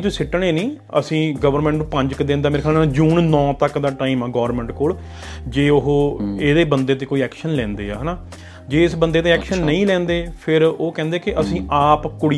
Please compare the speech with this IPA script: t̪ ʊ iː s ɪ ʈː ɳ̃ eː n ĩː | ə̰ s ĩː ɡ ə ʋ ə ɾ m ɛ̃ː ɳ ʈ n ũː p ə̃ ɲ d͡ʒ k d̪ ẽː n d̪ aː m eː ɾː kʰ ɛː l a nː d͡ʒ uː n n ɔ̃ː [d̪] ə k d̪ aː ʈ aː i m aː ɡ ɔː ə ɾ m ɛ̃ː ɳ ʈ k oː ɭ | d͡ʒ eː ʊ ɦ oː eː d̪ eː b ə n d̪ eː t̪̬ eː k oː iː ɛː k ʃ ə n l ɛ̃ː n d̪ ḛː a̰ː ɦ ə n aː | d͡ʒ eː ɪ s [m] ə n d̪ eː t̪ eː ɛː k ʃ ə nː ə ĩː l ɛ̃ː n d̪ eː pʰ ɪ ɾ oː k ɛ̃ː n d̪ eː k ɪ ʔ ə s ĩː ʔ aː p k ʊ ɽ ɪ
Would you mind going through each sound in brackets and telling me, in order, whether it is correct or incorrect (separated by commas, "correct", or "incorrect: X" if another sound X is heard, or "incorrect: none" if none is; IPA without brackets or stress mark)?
incorrect: t̪, incorrect: b